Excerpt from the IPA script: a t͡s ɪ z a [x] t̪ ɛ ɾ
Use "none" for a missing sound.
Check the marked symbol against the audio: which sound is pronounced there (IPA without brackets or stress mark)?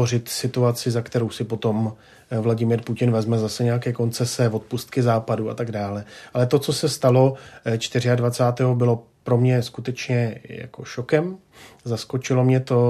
k